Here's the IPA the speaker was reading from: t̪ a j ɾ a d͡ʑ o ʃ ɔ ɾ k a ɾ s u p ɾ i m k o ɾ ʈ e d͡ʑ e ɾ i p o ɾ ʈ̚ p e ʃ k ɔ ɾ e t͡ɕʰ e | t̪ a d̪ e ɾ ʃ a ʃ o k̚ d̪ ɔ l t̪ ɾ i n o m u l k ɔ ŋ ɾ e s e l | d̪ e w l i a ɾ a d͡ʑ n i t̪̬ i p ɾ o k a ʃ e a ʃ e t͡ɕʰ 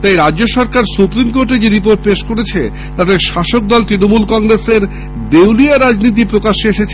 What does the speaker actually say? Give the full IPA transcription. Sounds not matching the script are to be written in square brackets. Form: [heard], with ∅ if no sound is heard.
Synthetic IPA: t̪ a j ɾ a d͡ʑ o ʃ ɔ ɾ k a ɾ s u p ɾ i m k o ɾ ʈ e d͡ʑ e ɾ i p o ɾ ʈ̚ p e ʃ k [o] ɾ e t͡ɕʰ e | t̪ a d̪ e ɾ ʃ a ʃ o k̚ d̪ ɔ l t̪ ɾ i n o m u l k ɔ ŋ ɾ e s e [ɾ] | d̪ e w l i a ɾ a d͡ʑ n i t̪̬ i p ɾ o k a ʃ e [e] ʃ e t͡ɕʰ